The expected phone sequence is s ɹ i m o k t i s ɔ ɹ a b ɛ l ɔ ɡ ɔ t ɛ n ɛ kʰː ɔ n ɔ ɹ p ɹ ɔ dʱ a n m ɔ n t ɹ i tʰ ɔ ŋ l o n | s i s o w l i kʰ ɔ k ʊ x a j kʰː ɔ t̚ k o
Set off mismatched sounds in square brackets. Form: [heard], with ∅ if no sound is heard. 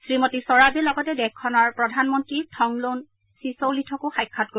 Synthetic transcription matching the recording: s ɹ i m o [∅] t i s ɔ ɹ a b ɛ l ɔ ɡ ɔ t ɛ [d] ɛ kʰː ɔ n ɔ ɹ p ɹ ɔ dʱ a n m ɔ n t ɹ i tʰ ɔ ŋ l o n | s i s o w l i [tʰ] ɔ k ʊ x a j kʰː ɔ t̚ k o